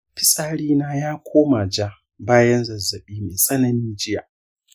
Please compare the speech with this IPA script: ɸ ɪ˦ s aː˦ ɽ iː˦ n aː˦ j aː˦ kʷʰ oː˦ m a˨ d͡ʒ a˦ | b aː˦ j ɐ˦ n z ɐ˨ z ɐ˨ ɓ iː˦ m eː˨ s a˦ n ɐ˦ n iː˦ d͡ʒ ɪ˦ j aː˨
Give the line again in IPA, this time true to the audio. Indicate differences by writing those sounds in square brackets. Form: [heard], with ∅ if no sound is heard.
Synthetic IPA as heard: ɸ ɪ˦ s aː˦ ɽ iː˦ n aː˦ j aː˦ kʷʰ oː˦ m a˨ d͡ʒ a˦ | b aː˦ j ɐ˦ n z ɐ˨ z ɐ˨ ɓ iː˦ m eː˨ s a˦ n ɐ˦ n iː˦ d͡ʒ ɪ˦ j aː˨